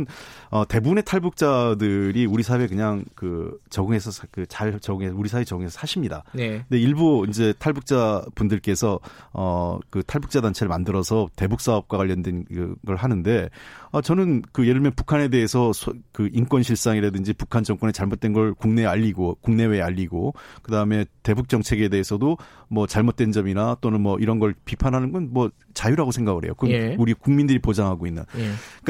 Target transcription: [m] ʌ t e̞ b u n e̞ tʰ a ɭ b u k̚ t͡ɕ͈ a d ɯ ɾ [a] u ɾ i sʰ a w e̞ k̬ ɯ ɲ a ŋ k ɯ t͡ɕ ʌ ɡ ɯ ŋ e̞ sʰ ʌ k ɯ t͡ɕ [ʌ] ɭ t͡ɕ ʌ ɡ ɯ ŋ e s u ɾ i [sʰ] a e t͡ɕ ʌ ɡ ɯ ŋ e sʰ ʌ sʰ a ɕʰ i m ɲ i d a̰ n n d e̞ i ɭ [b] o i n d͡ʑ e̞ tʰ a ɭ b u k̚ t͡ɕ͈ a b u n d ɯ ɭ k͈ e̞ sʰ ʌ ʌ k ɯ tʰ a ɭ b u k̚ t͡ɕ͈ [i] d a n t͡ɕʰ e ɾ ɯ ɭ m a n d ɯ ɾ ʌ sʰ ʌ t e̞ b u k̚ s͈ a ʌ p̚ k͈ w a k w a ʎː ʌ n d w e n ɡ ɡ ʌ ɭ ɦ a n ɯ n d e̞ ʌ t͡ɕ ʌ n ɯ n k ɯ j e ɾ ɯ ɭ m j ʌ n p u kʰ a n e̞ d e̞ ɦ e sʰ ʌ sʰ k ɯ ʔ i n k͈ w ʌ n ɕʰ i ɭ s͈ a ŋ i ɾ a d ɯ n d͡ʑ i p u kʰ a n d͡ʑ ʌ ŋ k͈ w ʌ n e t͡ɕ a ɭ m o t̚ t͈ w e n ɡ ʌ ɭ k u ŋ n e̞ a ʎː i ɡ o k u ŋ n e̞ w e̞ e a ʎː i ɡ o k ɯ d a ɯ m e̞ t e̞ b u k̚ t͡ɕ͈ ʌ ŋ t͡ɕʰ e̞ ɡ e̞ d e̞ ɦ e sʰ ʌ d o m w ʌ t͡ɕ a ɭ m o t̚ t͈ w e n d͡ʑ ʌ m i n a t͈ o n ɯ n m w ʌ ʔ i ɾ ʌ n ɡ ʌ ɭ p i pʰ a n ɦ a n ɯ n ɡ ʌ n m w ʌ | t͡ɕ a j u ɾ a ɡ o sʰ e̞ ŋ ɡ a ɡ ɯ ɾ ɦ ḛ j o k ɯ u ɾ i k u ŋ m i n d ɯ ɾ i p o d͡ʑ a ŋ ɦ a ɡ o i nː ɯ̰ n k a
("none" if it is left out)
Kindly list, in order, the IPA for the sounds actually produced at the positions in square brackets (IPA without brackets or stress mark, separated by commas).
n, i, a, sʰ, b, a